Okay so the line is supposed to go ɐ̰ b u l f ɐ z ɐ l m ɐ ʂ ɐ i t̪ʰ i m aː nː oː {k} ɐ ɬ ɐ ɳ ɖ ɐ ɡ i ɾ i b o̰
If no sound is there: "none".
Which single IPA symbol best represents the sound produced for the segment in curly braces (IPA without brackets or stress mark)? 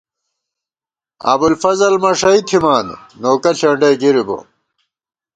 k